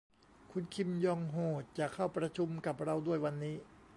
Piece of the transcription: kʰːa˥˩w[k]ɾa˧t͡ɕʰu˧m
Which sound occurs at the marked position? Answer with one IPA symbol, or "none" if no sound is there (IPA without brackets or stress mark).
p